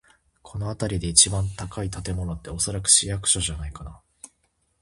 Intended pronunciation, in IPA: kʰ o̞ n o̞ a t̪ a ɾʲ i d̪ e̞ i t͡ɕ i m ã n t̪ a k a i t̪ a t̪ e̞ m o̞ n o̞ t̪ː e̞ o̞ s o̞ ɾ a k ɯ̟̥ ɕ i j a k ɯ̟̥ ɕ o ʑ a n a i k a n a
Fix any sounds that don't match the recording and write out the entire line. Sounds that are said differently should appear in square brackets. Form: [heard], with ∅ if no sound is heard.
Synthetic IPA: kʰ o̞ n o̞ a t̪ a ɾʲ i d̪ e̞ i t͡ɕ i [b] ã n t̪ a k a i t̪ a t̪ e̞ m o̞ n o̞ t̪ː e̞ o̞ s o̞ ɾ a k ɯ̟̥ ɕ i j a k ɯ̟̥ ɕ o ʑ a n a i k a n a